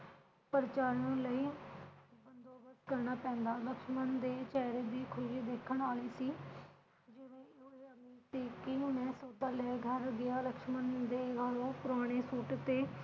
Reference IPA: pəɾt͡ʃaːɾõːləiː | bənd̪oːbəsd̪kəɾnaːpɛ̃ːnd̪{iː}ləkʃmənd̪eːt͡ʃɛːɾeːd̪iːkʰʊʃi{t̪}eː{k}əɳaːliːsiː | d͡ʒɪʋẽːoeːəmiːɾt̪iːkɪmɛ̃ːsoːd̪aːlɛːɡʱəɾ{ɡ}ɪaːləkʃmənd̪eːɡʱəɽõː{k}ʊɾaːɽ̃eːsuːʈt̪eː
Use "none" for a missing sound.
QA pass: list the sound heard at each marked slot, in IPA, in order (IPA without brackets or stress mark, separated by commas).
aː, d̪, kʰ, ɡ, p